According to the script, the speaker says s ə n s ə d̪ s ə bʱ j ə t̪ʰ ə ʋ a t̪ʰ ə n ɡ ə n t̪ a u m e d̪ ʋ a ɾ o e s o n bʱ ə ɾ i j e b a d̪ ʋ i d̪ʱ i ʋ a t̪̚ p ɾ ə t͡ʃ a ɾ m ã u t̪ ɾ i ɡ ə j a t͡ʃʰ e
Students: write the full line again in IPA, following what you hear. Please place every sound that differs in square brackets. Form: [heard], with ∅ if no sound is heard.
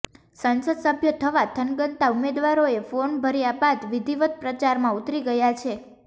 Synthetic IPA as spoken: s ə n s ə d̪ s ə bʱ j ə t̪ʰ ə ʋ a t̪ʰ ə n ɡ ə n t̪ a u m e d̪ ʋ a ɾ o e [f] o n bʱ ə ɾ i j [a] b a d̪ ʋ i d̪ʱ i ʋ [ə] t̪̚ p ɾ ə t͡ʃ a ɾ m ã u t̪ ɾ i ɡ ə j a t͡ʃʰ e